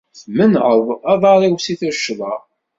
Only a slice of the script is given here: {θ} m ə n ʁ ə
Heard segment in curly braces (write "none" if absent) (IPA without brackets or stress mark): θ